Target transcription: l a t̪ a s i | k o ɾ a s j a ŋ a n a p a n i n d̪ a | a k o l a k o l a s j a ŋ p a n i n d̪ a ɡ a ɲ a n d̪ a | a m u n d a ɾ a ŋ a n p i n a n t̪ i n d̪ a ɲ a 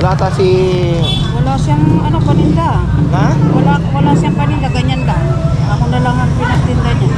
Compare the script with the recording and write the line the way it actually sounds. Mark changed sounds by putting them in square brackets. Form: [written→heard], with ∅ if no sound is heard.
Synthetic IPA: l a t̪ a s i | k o [ɾ→l] a s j a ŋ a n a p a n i n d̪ a | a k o l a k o l a s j a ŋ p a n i n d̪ a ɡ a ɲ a n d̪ a | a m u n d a [ɾ→l] a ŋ a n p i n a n t̪ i n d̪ a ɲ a